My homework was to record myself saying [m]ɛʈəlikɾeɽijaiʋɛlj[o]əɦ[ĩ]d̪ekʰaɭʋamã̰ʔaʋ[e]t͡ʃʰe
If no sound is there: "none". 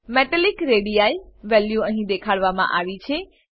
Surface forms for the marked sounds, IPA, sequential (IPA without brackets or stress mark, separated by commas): m, u, ĩ, i